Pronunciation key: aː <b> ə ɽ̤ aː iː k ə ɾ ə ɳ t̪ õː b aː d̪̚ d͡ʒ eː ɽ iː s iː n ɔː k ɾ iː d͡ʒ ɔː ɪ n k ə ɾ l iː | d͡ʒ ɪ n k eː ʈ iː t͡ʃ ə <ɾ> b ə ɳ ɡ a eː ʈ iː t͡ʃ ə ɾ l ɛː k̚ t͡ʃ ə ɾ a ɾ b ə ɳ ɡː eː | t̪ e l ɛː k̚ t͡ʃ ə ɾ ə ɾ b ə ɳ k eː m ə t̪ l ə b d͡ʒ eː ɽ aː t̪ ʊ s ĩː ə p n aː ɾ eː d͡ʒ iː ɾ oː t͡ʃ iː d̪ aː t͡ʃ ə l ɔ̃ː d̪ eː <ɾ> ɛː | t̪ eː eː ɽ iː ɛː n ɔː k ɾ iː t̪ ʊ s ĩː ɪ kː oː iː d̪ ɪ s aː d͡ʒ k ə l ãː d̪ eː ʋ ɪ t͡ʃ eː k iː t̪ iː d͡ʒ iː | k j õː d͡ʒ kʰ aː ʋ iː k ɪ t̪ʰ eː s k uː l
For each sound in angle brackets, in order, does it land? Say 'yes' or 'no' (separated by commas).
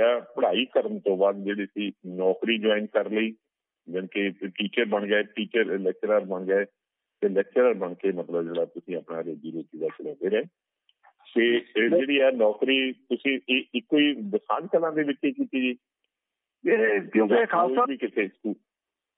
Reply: no, yes, yes